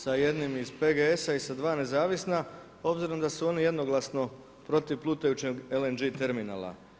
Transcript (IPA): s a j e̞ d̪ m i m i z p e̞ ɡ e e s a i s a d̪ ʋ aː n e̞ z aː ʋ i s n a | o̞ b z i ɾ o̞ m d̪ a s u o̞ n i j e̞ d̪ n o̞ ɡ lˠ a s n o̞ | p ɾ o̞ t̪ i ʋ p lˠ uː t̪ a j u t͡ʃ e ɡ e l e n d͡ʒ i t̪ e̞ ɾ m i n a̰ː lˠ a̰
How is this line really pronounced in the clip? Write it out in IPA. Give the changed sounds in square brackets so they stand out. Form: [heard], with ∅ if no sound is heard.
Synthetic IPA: s a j e̞ d̪ [n] i m i z p e̞ ɡ e e s a i s a d̪ ʋ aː n e̞ z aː ʋ i s n a | o̞ b z i ɾ o̞ m d̪ a s u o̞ n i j e̞ d̪ n o̞ ɡ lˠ a s n o̞ | p ɾ o̞ t̪ i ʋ p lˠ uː t̪ a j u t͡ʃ e ɡ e l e n d͡ʒ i t̪ e̞ ɾ m i n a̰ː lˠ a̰